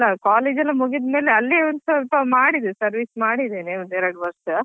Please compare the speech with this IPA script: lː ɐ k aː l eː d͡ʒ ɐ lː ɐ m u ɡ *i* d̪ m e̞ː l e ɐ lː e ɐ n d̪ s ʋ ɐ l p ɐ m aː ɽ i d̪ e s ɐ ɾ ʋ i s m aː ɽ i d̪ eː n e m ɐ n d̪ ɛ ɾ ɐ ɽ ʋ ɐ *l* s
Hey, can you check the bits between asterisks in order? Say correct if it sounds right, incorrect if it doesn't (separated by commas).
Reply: correct, incorrect